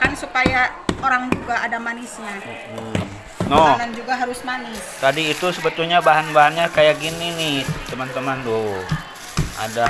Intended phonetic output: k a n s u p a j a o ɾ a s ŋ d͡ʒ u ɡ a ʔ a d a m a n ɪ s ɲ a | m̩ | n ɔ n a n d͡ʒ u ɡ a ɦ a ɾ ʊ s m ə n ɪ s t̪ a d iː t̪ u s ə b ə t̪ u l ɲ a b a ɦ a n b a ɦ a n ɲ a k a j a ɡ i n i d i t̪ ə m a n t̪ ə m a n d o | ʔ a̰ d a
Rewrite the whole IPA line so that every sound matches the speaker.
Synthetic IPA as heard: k a n s u p a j a o ɾ a ŋ d͡ʒ u ɡ a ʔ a d a m a n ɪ s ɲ a | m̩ | n ɔ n a n d͡ʒ u ɡ a ɦ a ɾ ʊ s m a n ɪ s t̪ a d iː t̪ u s ə b ə t̪ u l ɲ a b a ɦ a n b a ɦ a n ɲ a k a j a ɡ i n i n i t̪ ə m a n t̪ ə m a n d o | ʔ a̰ d a